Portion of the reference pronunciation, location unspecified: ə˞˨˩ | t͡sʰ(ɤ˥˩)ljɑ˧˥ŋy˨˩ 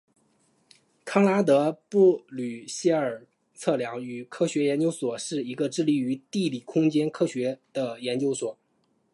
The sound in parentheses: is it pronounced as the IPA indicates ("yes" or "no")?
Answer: yes